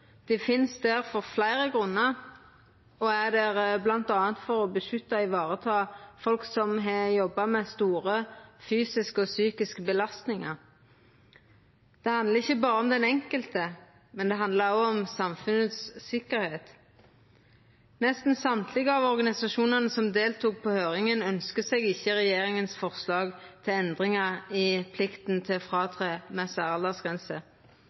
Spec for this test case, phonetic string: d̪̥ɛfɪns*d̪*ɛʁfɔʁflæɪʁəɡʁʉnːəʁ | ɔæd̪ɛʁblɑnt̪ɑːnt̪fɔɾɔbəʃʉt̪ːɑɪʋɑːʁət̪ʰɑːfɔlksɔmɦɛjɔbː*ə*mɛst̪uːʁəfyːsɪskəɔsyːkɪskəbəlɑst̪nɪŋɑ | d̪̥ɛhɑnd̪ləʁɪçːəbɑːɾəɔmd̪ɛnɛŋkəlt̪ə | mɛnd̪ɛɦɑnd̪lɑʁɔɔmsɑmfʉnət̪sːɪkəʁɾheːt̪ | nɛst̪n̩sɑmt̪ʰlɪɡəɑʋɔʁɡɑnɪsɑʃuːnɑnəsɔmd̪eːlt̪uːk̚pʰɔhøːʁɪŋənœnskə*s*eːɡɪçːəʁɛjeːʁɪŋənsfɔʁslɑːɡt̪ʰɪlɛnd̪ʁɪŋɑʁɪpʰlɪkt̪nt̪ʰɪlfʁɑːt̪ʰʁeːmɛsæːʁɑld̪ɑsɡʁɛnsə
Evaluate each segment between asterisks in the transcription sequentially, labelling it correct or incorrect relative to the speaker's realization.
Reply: correct, incorrect, correct

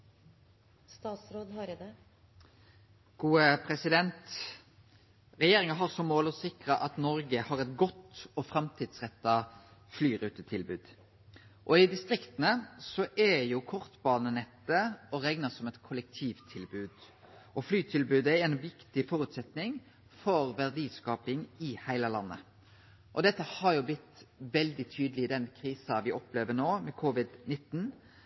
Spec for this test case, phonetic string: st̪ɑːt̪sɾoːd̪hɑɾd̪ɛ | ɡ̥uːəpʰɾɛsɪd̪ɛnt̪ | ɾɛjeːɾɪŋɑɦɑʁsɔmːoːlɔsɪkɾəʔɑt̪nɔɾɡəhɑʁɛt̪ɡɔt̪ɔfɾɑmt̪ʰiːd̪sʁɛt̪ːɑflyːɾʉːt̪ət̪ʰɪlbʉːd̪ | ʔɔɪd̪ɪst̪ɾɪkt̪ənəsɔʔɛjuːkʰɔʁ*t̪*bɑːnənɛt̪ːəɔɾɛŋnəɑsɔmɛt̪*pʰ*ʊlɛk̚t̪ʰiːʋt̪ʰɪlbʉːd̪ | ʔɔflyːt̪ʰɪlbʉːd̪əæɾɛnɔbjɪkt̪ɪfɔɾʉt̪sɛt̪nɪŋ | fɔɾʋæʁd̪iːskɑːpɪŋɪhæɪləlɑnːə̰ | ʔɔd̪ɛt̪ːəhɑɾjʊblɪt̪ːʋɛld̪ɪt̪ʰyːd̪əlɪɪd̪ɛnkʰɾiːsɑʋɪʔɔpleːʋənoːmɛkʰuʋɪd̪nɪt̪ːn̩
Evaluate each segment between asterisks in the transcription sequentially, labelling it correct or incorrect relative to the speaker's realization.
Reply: correct, incorrect

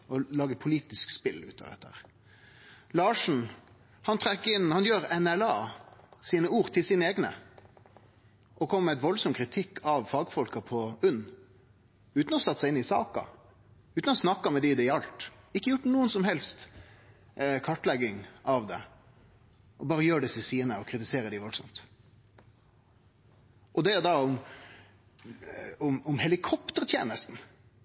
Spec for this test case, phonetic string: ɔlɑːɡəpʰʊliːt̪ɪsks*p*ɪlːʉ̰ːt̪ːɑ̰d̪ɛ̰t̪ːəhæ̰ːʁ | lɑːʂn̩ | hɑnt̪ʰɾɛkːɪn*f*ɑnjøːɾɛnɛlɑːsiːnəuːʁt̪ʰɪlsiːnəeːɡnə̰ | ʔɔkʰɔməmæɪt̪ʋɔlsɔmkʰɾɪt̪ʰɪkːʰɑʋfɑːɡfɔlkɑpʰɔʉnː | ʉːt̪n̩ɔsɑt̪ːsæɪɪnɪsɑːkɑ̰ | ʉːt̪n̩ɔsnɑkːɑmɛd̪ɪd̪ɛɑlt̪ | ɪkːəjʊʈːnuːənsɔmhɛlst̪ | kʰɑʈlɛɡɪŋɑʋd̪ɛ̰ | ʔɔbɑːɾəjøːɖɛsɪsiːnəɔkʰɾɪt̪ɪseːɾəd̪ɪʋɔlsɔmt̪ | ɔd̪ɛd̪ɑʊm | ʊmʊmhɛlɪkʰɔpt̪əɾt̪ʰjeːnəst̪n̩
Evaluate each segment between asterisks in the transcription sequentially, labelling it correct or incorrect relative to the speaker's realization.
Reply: correct, incorrect

